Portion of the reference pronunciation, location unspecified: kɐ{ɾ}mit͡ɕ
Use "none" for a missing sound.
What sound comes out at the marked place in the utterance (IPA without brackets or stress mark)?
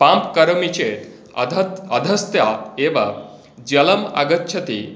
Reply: ɾ